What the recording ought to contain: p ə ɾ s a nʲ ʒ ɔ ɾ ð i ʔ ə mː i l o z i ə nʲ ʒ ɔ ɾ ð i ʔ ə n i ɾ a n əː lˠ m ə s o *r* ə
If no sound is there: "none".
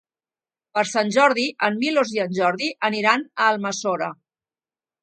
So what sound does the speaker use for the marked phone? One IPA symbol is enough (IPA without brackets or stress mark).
ɾ